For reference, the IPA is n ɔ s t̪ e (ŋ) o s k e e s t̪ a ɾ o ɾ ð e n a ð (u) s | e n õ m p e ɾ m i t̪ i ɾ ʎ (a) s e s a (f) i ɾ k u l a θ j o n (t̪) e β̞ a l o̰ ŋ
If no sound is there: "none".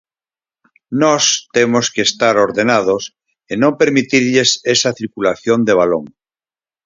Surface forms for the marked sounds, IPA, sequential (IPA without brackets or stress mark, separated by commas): m, o, e, θ, d̪